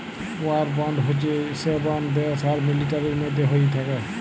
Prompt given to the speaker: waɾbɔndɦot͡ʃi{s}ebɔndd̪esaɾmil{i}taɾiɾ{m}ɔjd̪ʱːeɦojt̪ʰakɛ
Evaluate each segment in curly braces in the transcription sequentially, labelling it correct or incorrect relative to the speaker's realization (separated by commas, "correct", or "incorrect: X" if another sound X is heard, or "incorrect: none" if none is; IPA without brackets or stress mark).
correct, correct, correct